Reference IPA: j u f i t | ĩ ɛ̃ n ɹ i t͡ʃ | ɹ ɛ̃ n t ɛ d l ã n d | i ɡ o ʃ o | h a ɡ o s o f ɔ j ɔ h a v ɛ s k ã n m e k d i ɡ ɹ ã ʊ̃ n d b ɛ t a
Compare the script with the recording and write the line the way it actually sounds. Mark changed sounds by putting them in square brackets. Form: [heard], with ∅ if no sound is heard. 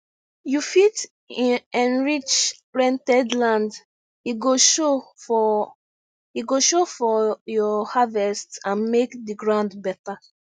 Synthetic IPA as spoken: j u f i t | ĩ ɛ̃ n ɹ i t͡ʃ | ɹ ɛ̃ n t ɛ d l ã n d | i ɡ o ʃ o | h [i] ɡ o [ʃ] o f ɔ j ɔ h a v ɛ s [t] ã n m e k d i ɡ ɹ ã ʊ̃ n d b ɛ t a

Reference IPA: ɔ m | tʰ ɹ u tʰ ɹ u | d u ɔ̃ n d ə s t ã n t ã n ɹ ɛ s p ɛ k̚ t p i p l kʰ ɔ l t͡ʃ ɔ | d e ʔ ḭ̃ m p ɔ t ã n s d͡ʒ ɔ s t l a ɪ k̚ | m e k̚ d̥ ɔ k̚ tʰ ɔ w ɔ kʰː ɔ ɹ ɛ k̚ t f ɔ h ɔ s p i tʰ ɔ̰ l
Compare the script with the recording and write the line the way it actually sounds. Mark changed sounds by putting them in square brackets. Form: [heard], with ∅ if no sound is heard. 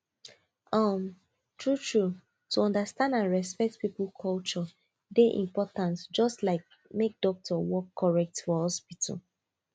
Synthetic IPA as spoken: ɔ m | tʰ ɹ u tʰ ɹ u | [t] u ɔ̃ n d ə s t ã n [d] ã n ɹ ɛ s p ɛ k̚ t p i p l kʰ ɔ l t͡ʃ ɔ | d e ʔ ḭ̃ m p ɔ t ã n s d͡ʒ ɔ s t l a ɪ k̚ | m e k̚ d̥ ɔ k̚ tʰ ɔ w ɔ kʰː ɔ ɹ ɛ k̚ t f ɔ h ɔ s p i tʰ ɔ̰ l

